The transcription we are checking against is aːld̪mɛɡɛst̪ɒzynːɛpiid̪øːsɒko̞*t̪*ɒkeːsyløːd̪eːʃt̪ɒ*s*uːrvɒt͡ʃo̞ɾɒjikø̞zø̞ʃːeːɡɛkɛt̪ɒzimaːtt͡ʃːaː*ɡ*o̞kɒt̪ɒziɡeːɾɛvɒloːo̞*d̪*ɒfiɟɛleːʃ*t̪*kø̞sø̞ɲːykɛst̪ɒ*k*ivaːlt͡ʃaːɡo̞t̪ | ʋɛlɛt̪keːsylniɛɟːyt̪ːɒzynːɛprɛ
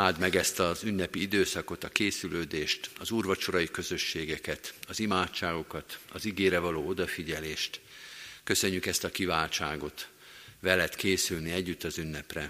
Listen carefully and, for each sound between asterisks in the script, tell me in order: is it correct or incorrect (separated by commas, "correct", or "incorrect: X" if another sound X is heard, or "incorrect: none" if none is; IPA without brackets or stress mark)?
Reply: correct, incorrect: z, correct, correct, correct, correct